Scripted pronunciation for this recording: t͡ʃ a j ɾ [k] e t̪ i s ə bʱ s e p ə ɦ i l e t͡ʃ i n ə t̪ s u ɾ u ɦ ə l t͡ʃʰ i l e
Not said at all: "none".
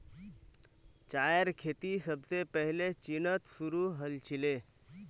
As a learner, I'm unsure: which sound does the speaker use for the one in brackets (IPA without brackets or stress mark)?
kʰ